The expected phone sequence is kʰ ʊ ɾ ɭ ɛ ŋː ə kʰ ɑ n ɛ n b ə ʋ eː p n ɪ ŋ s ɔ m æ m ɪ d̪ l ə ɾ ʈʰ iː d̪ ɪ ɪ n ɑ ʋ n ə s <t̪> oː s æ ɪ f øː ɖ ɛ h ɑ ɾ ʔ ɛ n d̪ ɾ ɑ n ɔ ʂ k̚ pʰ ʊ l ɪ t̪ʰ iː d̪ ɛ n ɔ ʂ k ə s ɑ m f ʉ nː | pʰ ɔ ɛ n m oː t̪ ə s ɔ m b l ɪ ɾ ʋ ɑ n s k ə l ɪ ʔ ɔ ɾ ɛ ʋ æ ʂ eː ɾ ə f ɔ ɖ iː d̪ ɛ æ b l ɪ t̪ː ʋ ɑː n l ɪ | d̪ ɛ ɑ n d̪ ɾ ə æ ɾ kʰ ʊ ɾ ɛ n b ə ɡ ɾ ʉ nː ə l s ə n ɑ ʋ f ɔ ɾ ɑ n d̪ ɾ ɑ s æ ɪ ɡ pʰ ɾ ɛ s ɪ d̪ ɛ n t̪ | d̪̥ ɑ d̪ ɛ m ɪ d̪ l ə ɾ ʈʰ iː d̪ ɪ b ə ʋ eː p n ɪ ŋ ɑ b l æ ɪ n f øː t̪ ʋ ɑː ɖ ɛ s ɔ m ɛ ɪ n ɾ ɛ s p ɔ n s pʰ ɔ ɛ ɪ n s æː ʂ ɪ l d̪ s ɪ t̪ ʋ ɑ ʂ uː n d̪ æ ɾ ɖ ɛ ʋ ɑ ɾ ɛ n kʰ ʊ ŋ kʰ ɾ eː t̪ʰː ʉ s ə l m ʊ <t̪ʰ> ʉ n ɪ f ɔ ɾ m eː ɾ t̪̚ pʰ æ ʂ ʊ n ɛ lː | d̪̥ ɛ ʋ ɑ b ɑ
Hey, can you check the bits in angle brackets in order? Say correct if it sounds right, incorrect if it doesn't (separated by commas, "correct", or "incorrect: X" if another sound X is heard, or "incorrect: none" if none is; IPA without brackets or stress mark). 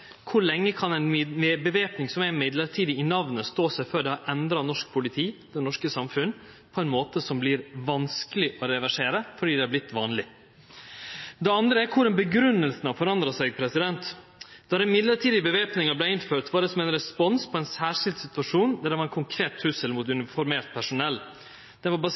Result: correct, incorrect: t̪